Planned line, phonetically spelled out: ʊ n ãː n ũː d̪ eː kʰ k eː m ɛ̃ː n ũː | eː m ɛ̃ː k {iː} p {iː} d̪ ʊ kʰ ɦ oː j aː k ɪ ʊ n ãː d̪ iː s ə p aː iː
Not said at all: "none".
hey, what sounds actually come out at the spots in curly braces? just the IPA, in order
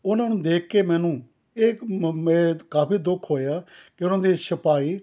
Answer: aː, iː

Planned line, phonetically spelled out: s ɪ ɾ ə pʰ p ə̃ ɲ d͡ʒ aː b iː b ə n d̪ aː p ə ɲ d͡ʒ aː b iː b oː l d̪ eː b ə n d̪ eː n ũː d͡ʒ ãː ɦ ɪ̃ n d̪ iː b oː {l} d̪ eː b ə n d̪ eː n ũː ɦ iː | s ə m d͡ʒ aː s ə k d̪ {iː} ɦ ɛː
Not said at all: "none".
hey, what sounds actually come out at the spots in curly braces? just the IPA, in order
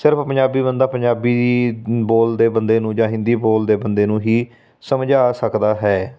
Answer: l, aː

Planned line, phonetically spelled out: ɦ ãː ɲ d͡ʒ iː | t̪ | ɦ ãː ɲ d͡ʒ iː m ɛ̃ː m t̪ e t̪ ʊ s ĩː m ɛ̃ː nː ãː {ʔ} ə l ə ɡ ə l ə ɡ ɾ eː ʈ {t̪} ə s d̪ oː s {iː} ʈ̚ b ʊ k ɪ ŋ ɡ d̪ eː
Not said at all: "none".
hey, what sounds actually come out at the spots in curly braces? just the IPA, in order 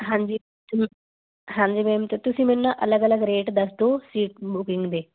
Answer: ʔ, d̪, iː

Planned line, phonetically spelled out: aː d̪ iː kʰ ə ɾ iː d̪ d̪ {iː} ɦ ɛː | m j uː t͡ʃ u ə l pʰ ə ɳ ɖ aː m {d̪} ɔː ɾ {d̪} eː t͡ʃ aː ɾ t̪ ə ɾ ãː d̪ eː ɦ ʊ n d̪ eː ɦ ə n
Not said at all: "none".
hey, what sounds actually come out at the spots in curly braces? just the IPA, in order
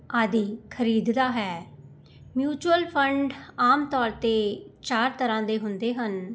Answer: aː, t̪, t̪

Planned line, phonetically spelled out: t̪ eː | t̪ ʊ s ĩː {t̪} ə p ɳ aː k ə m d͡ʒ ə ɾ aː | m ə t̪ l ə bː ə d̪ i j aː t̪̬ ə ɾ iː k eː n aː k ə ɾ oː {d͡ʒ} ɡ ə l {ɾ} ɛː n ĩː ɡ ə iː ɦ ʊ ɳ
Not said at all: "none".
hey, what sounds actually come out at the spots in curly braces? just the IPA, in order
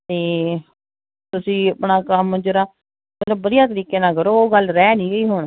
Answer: none, none, ɾ

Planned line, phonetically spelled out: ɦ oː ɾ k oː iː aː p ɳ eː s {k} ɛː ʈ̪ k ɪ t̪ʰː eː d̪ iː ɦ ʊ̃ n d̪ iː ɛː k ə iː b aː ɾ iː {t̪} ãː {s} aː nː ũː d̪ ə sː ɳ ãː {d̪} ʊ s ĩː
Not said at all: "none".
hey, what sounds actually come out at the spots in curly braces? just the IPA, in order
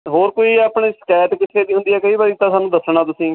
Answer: k, t̪, s, t̪

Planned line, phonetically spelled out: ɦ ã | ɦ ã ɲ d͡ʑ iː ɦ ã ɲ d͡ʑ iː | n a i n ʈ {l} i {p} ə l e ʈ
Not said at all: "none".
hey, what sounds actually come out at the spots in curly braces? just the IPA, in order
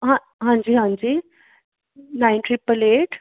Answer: ɾ, p

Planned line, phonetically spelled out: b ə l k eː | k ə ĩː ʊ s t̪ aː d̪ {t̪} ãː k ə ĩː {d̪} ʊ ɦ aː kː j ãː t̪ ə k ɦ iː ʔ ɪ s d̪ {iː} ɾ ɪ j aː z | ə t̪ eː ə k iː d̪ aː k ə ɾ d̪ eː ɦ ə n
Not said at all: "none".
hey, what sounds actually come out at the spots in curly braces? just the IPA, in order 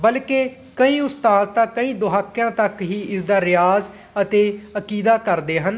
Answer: t̪, d̪, aː

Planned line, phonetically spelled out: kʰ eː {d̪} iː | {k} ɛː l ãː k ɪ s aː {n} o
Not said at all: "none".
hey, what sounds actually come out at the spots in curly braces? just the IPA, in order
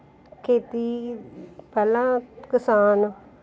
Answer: t̪, p, n

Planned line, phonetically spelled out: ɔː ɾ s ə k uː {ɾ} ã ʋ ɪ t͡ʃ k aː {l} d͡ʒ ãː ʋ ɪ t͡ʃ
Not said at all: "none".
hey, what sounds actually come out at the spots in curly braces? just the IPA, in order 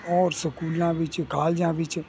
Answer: l, l

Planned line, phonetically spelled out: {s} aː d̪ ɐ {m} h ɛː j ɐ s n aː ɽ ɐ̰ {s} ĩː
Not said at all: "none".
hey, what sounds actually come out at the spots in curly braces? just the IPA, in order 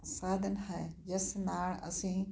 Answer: s, n, s

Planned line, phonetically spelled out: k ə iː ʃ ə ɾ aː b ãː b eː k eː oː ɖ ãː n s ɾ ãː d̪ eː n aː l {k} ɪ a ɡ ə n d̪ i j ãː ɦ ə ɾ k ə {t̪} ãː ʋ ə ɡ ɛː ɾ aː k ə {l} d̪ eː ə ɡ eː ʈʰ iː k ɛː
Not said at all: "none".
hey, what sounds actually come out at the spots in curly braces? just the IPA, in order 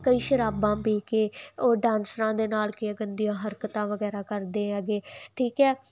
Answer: k, t̪, ɾ

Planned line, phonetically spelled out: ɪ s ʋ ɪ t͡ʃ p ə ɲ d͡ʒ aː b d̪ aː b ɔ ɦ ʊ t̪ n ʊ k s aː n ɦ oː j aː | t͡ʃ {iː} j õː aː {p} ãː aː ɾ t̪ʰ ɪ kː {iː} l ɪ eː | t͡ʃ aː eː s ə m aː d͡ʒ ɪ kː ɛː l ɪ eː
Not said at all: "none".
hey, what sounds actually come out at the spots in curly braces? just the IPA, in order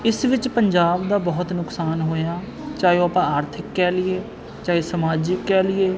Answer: aː, p, ɛː

